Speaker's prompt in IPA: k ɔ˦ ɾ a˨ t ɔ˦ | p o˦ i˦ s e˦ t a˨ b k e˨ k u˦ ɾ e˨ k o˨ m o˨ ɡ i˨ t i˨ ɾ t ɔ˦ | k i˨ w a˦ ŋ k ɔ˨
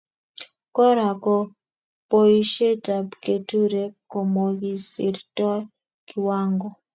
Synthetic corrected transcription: k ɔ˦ ɾ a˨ k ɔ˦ | p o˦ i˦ ʃ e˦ t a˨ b k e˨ t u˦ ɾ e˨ k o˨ m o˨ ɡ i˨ s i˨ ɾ t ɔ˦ | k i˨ w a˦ ŋ ɡ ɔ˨